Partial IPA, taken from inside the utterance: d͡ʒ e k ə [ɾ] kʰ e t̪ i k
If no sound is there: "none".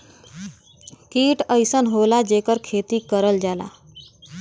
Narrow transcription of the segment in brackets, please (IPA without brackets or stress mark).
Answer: ɾ